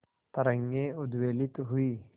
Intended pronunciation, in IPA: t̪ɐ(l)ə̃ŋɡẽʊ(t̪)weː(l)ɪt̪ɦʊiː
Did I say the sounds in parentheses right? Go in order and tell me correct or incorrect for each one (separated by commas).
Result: incorrect, incorrect, correct